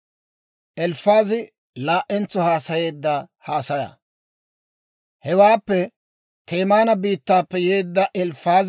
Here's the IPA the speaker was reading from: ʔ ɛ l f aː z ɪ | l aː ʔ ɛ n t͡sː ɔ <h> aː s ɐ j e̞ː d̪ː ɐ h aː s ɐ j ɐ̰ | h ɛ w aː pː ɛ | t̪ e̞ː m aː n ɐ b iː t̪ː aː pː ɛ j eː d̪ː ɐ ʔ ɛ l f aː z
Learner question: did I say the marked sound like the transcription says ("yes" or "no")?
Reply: yes